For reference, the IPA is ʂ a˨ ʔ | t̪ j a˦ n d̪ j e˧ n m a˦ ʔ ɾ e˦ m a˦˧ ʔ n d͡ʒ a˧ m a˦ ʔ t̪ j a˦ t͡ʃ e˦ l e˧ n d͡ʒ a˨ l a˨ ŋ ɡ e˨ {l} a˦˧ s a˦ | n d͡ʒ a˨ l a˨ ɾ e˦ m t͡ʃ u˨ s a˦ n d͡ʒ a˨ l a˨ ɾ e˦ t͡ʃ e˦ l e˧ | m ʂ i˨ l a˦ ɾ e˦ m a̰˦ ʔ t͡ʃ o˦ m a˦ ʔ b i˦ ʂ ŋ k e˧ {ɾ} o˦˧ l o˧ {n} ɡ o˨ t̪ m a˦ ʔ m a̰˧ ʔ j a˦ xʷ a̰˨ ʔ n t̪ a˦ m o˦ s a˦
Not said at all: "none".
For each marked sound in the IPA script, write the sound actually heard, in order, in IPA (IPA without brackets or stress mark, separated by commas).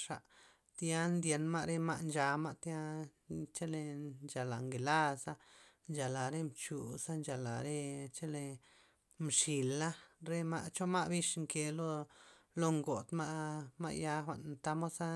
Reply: l, l, ŋ